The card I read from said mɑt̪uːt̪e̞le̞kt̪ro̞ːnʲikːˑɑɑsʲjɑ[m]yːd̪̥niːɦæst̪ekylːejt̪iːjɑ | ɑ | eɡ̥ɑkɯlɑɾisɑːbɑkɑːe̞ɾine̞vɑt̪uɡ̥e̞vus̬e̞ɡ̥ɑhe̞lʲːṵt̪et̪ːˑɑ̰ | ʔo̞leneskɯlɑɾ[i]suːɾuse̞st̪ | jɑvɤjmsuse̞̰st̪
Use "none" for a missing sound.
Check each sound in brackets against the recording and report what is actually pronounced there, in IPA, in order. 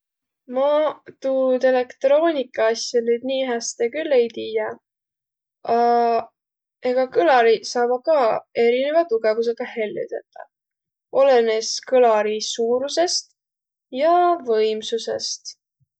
n, i

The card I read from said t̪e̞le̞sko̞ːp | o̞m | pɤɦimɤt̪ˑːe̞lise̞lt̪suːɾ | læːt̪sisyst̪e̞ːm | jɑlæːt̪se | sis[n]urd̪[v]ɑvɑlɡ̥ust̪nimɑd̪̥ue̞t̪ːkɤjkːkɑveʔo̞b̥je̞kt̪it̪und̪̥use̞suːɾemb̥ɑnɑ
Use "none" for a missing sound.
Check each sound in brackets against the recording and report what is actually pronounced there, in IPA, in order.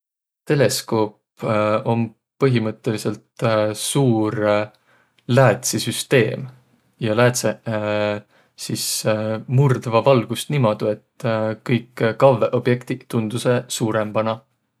m, v

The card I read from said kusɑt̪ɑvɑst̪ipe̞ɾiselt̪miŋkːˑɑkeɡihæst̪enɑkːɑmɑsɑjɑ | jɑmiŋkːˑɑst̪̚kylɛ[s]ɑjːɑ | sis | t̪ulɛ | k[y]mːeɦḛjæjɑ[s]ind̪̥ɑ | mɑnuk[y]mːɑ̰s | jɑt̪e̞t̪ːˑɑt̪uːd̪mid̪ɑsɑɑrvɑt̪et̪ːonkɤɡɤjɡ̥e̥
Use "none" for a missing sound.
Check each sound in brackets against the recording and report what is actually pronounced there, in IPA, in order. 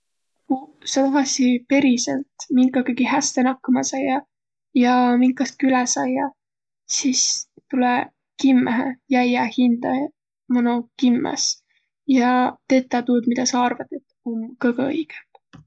s, i, h, i

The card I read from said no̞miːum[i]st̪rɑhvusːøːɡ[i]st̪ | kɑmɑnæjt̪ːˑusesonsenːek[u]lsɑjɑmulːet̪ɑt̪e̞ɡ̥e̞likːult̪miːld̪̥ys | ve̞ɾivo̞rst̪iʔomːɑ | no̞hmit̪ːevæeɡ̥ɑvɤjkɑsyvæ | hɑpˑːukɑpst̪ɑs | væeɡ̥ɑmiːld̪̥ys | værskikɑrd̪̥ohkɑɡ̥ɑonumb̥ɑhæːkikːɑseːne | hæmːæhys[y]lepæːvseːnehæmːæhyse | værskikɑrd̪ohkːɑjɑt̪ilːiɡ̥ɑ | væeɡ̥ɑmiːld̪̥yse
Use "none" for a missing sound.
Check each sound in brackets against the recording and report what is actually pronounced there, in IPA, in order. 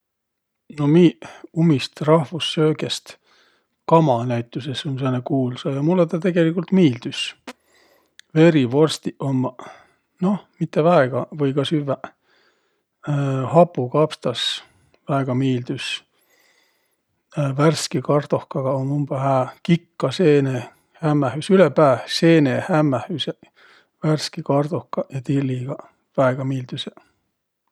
i, e, uː, y

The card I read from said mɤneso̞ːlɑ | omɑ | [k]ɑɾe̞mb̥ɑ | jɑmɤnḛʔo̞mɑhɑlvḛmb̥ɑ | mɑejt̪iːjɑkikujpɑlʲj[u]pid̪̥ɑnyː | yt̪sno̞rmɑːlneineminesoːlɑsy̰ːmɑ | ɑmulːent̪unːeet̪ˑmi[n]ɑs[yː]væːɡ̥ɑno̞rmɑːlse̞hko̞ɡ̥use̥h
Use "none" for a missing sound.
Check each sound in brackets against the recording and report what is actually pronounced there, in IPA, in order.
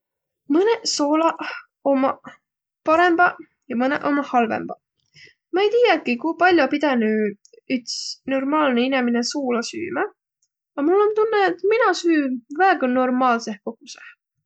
p, o, n, yː

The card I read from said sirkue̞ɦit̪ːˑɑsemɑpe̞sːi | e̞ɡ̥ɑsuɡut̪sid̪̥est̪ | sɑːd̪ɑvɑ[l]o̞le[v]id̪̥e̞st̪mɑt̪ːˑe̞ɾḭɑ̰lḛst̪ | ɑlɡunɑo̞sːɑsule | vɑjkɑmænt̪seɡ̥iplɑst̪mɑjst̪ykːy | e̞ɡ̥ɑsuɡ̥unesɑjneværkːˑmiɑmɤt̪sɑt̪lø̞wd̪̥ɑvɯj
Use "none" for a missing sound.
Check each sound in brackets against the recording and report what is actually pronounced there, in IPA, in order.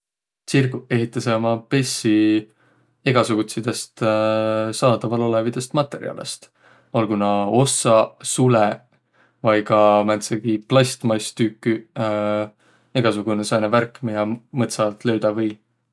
l, v

